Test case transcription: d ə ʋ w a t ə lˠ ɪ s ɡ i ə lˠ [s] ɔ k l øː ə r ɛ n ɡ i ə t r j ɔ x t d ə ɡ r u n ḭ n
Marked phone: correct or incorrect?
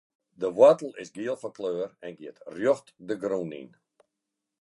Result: incorrect